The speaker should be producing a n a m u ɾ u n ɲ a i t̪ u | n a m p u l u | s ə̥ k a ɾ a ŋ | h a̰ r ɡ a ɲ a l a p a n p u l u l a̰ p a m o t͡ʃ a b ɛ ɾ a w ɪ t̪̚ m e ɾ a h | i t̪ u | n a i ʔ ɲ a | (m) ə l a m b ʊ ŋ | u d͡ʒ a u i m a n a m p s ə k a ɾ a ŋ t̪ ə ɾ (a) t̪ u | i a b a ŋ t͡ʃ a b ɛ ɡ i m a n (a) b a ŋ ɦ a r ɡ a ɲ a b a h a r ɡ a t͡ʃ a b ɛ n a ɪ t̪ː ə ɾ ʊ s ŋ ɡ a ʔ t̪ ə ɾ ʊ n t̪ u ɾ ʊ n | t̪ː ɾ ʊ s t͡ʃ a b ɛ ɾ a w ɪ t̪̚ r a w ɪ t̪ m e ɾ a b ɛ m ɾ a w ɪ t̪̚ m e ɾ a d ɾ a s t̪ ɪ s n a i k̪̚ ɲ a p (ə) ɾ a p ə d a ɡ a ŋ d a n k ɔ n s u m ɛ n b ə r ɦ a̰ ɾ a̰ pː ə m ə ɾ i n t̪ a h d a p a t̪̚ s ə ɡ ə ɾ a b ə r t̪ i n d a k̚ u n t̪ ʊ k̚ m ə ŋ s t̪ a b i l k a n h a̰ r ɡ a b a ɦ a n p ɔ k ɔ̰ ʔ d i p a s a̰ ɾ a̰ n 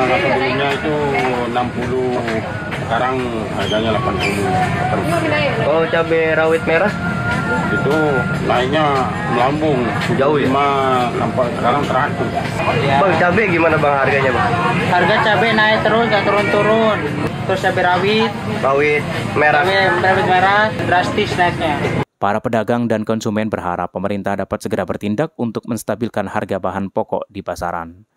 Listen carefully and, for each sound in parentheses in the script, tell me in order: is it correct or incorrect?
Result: correct, correct, correct, incorrect

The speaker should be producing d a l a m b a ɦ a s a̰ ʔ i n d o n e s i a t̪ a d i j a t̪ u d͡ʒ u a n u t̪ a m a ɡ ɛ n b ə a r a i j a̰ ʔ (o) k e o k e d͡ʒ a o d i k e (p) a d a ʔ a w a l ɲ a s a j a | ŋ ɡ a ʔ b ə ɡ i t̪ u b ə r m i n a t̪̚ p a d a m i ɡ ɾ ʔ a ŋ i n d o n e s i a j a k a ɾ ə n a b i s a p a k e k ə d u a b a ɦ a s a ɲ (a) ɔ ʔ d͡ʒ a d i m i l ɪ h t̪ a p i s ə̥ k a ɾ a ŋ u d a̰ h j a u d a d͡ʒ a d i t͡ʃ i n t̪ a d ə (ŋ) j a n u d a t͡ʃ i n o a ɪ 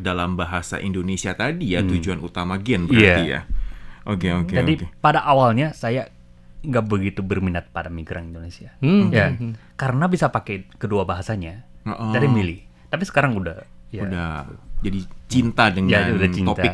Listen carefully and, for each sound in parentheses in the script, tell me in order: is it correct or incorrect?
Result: correct, correct, correct, correct

